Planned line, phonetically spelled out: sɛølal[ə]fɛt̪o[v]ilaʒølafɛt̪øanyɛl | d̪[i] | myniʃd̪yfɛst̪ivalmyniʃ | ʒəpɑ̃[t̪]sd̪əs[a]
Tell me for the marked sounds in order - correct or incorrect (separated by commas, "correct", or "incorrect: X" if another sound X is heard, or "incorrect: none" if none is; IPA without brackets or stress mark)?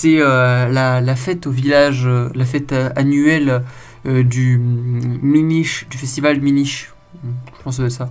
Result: incorrect: a, correct, incorrect: y, incorrect: none, correct